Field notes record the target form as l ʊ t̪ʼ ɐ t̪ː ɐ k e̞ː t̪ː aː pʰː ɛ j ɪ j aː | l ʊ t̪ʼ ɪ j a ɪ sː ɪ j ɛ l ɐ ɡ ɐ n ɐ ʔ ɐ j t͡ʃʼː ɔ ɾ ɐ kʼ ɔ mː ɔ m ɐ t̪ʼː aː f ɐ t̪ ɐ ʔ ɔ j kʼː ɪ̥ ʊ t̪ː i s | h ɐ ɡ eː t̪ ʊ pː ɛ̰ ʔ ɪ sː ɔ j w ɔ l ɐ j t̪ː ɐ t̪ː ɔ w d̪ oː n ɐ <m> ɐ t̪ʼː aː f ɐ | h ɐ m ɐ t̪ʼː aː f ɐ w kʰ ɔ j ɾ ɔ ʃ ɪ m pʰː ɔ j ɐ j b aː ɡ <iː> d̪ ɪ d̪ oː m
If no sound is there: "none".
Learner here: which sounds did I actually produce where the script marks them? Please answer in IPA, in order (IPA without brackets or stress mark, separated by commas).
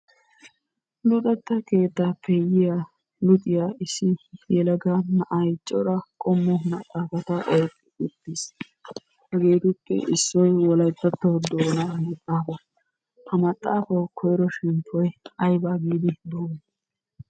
m, iː